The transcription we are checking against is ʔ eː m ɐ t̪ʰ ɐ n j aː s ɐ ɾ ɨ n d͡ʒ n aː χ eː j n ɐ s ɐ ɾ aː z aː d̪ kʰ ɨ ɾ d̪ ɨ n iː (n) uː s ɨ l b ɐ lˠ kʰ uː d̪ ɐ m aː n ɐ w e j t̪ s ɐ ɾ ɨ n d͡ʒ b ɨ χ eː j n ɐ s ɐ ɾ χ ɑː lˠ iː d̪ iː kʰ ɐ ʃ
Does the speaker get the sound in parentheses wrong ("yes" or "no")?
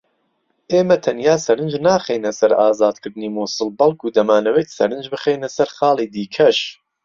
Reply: yes